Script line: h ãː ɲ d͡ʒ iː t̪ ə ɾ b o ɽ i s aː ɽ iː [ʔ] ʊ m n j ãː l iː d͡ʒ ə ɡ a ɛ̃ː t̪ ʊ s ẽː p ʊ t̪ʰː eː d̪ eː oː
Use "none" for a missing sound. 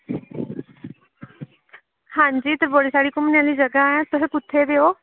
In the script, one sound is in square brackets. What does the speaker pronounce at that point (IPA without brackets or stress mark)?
k